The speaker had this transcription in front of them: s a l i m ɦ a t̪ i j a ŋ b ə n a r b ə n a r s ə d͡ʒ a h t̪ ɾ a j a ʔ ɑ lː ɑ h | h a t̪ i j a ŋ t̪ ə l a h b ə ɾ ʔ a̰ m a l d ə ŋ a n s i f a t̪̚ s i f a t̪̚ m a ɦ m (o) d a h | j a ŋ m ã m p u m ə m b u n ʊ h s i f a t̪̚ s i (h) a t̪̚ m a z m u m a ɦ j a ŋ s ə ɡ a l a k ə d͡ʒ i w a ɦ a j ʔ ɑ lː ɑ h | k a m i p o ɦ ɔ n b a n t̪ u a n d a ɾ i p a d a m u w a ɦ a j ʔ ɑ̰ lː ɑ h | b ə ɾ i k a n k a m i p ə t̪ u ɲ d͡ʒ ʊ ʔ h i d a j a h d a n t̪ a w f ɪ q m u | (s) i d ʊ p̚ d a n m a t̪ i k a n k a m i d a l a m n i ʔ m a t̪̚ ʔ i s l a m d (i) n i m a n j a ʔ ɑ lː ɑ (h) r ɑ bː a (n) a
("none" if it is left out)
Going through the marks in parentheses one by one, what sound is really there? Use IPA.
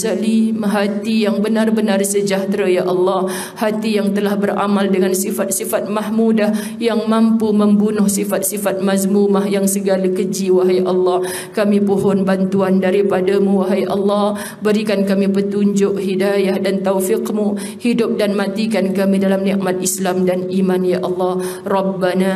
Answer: u, f, h, a, h, n

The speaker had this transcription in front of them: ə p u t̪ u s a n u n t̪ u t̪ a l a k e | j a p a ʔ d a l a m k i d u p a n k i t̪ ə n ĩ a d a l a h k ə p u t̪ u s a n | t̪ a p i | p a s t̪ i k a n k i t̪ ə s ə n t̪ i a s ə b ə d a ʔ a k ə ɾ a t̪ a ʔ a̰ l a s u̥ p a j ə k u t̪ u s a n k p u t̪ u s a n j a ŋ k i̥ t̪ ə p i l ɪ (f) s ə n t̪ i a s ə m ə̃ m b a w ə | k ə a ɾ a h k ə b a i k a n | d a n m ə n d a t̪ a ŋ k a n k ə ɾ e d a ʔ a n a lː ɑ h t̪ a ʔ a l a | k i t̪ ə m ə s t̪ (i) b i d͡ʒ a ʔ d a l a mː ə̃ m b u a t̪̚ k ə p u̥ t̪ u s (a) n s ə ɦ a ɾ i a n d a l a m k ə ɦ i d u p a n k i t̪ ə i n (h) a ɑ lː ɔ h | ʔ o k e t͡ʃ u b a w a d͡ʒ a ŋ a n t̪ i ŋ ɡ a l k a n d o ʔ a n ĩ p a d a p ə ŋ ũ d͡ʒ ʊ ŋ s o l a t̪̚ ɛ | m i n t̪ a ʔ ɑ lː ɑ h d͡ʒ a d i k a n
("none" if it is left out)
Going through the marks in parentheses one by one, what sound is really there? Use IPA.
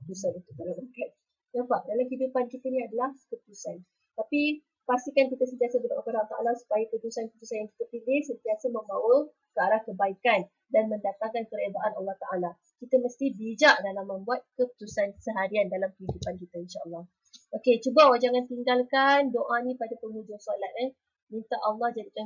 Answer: h, i, a, ʃ

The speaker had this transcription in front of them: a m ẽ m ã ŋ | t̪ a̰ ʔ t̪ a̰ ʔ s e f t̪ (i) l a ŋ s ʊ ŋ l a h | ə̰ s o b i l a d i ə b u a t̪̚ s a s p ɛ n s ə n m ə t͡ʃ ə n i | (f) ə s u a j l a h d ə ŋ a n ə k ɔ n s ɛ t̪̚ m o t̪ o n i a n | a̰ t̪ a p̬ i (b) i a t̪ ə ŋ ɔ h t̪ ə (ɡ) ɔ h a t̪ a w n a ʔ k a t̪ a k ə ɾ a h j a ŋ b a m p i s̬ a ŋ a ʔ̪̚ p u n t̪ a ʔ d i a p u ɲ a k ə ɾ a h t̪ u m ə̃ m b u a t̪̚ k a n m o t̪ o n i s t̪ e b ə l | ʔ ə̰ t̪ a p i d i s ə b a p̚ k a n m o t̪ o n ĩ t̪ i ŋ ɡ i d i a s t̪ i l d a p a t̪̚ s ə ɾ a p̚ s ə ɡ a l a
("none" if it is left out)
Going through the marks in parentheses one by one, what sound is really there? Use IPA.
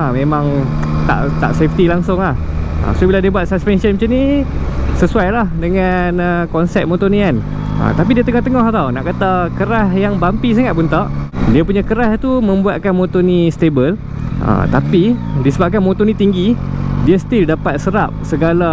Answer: i, s, d, ŋ

